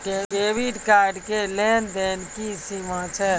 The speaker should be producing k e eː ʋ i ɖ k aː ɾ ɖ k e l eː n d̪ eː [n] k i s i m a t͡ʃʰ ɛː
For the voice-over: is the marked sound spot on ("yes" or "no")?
yes